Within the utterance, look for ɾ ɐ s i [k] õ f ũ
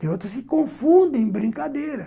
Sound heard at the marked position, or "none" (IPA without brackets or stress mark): k